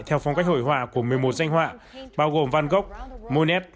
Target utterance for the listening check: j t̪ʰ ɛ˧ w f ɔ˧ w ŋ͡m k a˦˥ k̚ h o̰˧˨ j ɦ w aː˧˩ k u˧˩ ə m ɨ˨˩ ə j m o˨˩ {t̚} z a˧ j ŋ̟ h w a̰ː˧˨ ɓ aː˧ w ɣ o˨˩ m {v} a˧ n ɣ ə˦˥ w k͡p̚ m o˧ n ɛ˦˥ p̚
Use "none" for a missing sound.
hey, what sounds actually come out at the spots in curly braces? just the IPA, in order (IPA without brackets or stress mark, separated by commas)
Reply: t̚, v